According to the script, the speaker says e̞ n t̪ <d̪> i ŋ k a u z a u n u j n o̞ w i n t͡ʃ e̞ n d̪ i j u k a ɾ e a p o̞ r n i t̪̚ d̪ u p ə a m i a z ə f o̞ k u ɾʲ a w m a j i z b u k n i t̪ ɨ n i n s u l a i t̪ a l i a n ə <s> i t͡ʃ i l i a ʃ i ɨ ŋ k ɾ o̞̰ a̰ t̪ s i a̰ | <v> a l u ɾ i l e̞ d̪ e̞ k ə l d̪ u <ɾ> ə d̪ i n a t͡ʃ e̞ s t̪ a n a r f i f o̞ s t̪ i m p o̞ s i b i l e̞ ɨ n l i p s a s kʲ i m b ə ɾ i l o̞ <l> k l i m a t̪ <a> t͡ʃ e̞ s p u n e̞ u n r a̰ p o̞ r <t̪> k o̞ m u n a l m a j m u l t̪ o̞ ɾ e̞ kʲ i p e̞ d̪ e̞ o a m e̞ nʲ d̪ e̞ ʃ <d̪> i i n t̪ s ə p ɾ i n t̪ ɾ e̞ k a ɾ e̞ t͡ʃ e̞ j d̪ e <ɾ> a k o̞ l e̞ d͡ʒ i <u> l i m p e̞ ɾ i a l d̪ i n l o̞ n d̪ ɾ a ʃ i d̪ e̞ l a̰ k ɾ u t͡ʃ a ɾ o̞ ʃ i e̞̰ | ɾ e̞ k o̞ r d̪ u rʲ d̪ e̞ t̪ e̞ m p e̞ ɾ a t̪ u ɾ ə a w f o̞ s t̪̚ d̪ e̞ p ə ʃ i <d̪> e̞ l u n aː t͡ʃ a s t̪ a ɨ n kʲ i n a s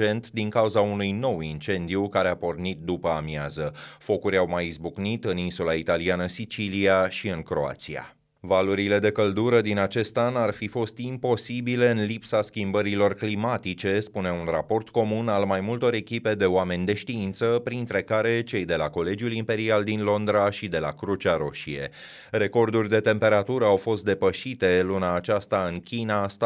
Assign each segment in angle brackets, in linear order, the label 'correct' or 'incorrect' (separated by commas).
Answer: correct, correct, correct, correct, incorrect, incorrect, correct, incorrect, incorrect, correct, incorrect